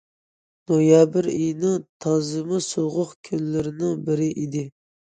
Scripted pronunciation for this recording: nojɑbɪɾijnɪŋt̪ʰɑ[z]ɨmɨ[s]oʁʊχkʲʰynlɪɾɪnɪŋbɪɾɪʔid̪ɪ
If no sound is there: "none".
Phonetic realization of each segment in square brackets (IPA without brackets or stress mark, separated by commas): z, s